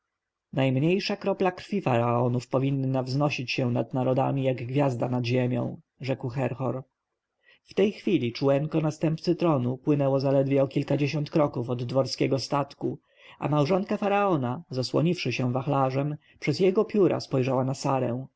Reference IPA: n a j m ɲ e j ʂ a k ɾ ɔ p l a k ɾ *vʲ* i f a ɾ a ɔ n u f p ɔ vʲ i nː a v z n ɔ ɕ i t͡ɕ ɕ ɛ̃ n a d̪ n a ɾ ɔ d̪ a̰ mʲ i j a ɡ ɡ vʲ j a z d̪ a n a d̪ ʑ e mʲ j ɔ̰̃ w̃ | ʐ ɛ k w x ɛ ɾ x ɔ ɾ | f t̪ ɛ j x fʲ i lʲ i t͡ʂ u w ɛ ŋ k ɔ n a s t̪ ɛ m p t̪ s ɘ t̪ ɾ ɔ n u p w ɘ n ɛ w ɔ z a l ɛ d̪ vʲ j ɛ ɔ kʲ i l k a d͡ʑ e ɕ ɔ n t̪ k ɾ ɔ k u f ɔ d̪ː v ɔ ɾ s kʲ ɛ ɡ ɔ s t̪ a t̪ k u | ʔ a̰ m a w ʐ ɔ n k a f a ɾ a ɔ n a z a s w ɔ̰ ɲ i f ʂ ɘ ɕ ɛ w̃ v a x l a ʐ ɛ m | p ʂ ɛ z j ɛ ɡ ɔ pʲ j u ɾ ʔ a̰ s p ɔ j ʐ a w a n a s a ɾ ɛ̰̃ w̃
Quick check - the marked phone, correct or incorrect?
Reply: incorrect